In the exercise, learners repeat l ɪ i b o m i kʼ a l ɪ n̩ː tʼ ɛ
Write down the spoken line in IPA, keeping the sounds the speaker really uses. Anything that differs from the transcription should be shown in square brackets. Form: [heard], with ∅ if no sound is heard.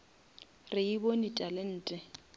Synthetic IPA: [r] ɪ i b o [n] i [tʼ] a l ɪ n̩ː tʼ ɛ